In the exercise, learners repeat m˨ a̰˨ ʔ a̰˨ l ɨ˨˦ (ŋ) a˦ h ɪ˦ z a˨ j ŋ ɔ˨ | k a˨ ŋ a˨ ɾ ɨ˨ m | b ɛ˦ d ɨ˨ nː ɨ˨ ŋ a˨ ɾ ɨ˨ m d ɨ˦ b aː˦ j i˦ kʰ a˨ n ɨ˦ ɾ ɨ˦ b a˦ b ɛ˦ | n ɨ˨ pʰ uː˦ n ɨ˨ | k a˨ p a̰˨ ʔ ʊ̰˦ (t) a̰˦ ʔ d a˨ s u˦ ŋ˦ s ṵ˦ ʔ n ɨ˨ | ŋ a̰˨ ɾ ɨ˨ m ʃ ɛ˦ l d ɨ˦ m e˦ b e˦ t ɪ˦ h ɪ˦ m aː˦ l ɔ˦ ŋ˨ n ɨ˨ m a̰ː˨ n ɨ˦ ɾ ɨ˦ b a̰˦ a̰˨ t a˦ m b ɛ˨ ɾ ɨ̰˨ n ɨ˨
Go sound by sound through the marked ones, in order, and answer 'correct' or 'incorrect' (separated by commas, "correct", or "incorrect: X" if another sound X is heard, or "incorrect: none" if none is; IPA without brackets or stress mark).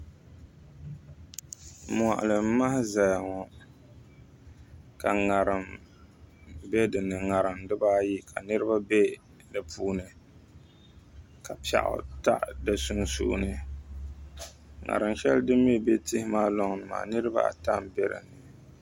incorrect: m, correct